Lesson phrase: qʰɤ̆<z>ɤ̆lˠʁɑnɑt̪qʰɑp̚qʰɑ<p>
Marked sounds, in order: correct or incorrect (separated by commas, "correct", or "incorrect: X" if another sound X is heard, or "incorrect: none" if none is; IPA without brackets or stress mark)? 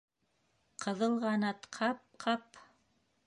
incorrect: ð, correct